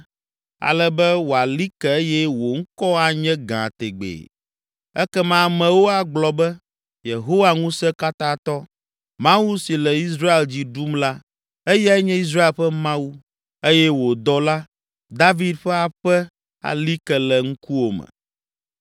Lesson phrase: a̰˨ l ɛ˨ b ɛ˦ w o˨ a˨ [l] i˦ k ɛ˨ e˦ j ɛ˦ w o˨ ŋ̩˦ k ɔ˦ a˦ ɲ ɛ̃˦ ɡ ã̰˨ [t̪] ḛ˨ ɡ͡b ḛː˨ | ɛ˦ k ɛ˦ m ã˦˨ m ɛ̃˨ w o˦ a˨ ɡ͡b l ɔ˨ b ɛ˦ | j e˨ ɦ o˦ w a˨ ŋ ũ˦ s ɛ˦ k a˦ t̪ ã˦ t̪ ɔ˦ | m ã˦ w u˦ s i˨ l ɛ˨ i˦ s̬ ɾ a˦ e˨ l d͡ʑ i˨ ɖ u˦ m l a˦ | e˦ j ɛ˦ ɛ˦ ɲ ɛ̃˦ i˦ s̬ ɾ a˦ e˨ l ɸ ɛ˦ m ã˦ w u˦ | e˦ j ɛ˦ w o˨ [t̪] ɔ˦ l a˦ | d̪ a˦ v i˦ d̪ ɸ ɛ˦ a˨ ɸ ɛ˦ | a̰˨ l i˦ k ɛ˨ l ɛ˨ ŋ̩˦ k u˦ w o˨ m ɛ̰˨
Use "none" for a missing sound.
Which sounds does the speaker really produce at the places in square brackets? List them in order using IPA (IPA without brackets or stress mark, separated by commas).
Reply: l, t̪, d̪